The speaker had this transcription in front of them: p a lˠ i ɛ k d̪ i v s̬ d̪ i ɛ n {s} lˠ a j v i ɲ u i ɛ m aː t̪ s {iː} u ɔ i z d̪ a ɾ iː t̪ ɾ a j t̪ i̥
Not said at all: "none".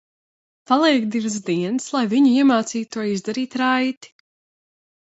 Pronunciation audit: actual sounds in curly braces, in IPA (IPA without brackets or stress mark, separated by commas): s, iː